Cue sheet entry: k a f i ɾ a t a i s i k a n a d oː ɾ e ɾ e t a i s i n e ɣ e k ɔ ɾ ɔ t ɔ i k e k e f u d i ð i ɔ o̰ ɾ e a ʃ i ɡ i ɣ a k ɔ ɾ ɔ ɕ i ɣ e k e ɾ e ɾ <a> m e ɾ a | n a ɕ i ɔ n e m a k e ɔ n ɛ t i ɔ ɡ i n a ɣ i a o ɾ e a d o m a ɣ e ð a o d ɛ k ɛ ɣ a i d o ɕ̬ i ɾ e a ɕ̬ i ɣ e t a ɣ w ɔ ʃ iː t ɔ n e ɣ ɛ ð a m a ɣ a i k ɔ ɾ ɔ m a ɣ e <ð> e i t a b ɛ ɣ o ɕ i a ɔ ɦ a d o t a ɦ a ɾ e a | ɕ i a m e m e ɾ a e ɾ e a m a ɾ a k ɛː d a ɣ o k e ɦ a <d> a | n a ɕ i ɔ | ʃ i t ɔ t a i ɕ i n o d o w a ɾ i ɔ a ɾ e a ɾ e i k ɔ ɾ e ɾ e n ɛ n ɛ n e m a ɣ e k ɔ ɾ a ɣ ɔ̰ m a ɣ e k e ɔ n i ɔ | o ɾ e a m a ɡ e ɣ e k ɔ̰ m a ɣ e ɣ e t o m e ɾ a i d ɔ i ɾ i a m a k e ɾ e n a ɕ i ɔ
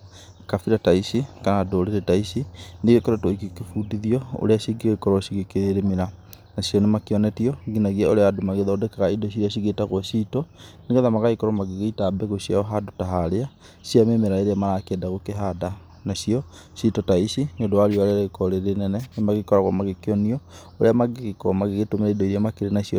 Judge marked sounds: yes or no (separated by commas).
no, no, yes